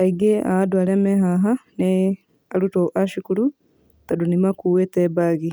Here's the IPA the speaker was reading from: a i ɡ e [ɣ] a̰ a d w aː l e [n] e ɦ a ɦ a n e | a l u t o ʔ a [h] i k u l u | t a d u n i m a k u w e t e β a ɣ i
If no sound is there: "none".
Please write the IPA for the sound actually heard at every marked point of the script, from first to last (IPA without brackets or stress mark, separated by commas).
none, m, ʃ